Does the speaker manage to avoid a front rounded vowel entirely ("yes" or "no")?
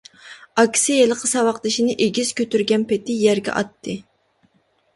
no